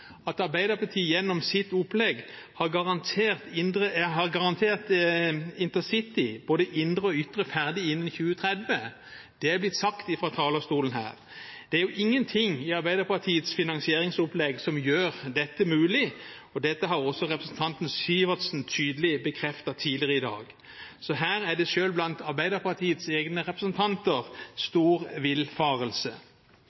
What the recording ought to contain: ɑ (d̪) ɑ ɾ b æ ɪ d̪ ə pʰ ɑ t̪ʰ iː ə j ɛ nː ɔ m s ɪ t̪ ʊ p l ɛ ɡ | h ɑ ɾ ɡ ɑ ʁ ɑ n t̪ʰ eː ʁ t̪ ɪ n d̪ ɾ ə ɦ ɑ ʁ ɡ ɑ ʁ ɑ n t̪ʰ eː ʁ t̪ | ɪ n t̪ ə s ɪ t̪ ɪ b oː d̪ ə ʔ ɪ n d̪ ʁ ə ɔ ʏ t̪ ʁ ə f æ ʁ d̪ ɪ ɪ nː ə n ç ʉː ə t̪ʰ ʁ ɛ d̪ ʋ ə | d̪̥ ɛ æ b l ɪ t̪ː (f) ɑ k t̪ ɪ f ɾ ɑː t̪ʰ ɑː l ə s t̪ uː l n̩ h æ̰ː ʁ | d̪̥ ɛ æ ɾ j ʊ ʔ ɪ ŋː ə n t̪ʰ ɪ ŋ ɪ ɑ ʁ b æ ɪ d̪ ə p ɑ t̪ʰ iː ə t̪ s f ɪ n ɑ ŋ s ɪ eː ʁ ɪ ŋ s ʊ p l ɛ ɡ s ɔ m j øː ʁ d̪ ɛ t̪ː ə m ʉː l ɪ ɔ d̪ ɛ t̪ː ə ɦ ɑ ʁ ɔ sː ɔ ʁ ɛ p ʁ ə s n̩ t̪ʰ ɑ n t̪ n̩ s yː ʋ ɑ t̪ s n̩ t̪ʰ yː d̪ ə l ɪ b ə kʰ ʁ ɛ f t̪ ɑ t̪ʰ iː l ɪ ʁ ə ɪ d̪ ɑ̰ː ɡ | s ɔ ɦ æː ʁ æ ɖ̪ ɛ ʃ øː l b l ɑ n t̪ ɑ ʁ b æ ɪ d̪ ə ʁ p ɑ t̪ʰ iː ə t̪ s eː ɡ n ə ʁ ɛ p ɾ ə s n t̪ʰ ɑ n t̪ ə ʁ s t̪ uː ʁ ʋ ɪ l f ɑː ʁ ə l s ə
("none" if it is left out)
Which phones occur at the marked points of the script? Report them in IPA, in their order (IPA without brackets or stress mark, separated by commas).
t̪, s